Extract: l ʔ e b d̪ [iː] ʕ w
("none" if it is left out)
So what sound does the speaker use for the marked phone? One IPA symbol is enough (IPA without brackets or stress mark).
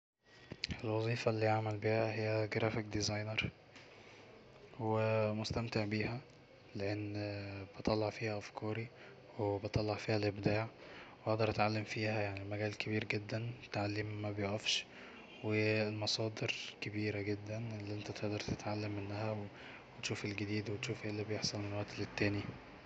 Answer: aː